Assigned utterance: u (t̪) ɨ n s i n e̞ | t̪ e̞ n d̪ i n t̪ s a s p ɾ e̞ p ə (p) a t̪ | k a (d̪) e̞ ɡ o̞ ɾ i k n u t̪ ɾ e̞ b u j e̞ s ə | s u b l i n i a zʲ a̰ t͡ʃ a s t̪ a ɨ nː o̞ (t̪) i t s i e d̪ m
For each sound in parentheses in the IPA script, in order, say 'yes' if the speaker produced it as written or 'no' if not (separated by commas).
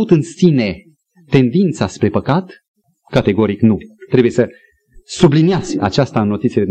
yes, no, no, yes